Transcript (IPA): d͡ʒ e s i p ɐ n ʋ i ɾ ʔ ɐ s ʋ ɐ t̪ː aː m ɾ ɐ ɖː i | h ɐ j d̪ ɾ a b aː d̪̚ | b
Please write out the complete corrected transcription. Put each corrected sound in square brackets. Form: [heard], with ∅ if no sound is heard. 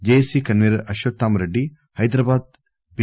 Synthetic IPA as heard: d͡ʒ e s i [k] ɐ n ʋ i ɾ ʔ ɐ [ʃ] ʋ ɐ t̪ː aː m ɾ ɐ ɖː i | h ɐ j d̪ ɾ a b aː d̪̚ | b